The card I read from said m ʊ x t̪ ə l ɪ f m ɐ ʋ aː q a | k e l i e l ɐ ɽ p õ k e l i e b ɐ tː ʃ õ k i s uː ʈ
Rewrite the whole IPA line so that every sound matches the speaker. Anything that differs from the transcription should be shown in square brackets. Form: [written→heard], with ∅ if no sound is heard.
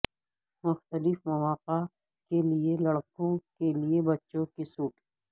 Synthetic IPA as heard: m ʊ x t̪ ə l ɪ f m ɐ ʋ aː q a | k e l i e l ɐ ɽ [p→k] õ k e l i e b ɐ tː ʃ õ k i s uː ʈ